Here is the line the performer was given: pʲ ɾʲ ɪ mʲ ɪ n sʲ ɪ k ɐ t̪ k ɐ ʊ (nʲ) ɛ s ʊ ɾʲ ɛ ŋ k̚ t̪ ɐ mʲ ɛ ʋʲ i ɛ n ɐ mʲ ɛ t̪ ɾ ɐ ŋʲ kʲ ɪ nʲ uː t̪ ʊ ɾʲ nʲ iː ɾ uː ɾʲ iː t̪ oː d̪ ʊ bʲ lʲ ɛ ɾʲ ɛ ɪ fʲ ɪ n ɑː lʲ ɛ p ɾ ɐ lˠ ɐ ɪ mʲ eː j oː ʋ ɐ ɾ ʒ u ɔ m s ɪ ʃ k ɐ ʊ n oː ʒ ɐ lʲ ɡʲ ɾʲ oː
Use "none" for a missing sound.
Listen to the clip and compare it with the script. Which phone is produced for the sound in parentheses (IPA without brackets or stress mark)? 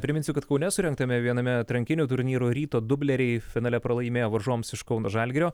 nʲ